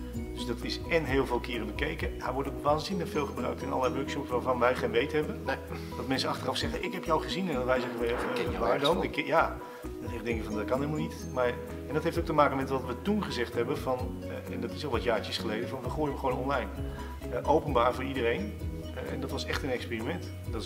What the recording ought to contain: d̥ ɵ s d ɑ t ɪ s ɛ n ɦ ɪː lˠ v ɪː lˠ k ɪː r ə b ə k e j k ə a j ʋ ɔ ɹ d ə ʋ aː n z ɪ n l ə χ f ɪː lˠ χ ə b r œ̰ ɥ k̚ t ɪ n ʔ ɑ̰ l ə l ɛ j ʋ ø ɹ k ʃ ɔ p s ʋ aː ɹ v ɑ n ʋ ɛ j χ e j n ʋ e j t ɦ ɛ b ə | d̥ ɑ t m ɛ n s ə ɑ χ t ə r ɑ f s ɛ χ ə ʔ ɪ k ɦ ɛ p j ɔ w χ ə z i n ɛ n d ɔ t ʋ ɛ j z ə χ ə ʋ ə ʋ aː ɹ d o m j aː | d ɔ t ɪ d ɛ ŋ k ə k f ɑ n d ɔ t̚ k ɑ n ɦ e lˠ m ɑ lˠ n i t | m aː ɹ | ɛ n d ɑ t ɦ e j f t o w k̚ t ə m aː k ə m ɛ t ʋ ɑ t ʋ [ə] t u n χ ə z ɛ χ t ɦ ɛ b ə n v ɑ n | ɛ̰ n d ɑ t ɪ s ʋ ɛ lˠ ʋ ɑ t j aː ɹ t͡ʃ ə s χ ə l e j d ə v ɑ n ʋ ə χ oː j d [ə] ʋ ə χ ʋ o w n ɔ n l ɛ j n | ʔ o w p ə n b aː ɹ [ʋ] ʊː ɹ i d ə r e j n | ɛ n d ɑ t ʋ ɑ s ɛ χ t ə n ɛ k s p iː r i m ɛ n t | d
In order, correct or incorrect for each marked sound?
correct, correct, incorrect

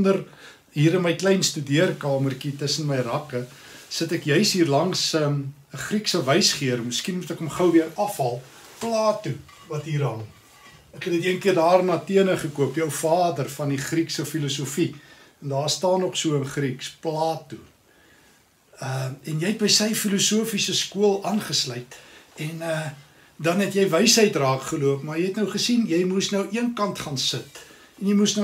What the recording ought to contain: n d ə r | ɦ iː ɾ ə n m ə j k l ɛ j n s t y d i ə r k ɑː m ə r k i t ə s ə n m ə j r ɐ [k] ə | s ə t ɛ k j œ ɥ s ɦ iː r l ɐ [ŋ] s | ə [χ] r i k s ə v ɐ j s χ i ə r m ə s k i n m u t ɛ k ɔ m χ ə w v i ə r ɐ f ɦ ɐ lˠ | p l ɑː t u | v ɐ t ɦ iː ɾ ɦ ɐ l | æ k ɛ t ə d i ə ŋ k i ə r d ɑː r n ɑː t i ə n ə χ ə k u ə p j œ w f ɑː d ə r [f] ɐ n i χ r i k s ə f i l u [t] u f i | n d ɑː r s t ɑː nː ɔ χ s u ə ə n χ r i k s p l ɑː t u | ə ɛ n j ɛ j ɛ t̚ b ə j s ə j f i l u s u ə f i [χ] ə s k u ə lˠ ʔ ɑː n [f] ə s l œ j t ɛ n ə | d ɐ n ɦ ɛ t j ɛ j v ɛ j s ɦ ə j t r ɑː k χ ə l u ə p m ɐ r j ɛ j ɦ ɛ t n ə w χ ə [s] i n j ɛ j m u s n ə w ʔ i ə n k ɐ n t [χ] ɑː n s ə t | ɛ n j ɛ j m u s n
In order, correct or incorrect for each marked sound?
correct, correct, correct, correct, incorrect, incorrect, incorrect, correct, correct

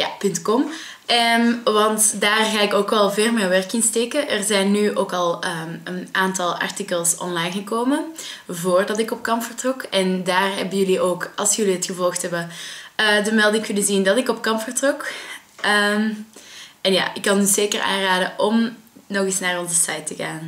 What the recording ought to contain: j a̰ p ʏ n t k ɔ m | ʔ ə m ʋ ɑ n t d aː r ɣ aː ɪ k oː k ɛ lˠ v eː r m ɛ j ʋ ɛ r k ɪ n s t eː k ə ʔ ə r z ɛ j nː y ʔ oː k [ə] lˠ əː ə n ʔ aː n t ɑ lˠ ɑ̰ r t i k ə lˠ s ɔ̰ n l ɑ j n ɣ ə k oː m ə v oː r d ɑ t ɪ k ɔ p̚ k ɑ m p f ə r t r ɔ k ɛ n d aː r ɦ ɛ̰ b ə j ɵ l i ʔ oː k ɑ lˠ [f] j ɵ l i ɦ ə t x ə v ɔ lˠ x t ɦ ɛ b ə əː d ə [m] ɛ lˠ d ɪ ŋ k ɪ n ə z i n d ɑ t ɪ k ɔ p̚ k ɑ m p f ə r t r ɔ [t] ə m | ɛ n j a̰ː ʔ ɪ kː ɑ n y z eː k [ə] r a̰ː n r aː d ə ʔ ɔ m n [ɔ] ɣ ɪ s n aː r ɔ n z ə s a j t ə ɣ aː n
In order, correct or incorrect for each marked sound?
incorrect, incorrect, correct, incorrect, correct, correct

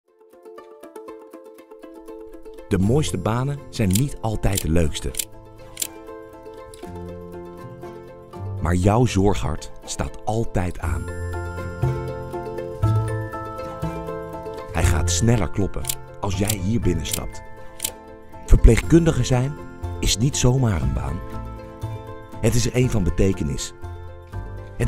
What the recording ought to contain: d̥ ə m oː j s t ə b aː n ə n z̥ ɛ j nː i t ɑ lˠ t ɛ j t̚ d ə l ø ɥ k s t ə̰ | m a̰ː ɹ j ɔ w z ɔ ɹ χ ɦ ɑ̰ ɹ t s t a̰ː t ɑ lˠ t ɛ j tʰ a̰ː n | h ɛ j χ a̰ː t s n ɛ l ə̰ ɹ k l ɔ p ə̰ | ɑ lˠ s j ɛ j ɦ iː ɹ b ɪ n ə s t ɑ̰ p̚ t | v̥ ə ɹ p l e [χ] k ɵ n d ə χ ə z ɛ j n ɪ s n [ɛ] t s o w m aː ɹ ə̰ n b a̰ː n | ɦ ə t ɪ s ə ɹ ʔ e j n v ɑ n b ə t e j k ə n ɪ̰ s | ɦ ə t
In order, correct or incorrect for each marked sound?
correct, incorrect

